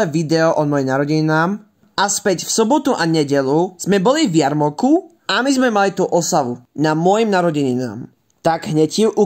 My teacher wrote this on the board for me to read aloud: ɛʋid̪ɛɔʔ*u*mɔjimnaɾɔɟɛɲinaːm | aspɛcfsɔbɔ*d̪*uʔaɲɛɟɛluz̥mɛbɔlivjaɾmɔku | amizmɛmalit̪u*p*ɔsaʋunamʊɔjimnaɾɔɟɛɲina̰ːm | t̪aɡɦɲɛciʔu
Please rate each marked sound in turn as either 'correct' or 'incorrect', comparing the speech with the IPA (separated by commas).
incorrect, incorrect, incorrect